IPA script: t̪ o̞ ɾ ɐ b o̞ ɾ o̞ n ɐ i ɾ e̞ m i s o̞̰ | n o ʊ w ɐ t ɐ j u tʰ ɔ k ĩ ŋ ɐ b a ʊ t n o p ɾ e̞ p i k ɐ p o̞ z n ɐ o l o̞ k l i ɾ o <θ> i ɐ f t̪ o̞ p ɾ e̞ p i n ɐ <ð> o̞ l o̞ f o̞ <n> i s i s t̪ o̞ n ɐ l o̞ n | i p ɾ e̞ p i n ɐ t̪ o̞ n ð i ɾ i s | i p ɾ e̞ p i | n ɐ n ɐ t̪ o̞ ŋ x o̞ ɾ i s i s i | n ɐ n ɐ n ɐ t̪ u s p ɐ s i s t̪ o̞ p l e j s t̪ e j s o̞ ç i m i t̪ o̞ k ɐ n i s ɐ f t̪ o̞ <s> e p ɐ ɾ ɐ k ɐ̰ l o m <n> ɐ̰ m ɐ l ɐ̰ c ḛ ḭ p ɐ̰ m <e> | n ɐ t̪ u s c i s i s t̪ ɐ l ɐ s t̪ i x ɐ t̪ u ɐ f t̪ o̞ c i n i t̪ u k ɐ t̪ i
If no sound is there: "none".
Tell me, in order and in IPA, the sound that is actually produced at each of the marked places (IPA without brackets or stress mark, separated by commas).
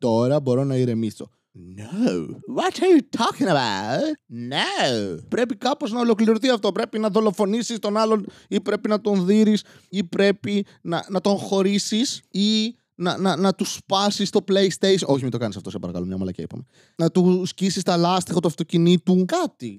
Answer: θ, ð, n, s, ɲ, e